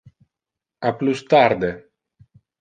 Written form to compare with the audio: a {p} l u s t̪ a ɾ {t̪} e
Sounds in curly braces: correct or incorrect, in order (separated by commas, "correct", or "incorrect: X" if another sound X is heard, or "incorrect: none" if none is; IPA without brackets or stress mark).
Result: correct, incorrect: d̪